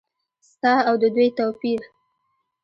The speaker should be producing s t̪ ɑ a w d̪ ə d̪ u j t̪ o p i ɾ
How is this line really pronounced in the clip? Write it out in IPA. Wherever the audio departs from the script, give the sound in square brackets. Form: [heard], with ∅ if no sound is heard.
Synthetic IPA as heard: s t̪ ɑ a w d̪ ə d̪ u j t̪ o p i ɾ